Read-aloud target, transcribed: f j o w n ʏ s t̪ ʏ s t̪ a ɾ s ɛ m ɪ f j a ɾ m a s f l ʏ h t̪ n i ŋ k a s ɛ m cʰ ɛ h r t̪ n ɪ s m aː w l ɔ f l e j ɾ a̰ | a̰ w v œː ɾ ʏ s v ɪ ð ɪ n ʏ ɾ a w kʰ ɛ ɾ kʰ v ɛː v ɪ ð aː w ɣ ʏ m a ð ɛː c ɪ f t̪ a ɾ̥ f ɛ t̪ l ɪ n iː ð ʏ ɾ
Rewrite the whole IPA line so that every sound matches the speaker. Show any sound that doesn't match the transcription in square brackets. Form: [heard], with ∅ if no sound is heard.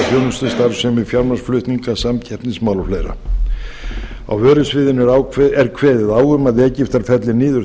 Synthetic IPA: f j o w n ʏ s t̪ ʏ s t̪ a ɾ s ɛ m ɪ f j a ɾ m a s f l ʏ h t̪ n i ŋ k a s [a] m cʰ ɛ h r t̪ n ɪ s m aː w l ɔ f l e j ɾ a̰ | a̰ w v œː ɾ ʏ s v ɪ ð ɪ n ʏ ɾ a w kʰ ɛ ɾ kʰ v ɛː [ð] ɪ ð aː w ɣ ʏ m a ð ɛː c ɪ f t̪ a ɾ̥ f ɛ t̪ l ɪ n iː ð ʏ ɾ